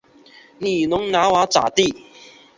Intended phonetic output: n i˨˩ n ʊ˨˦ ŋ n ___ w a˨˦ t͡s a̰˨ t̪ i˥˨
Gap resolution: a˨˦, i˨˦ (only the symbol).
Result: a˨˦